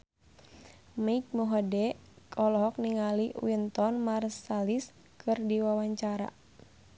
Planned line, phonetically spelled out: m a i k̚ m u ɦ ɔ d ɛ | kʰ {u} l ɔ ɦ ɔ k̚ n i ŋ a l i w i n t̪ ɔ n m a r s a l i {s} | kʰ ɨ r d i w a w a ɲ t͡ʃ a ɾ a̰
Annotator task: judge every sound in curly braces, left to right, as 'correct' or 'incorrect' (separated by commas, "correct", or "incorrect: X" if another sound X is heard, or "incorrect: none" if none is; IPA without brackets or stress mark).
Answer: incorrect: ɔ, correct